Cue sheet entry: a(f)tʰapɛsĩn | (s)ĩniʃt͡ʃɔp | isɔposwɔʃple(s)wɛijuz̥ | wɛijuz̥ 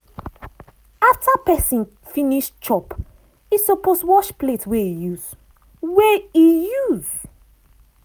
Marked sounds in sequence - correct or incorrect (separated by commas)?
correct, incorrect, incorrect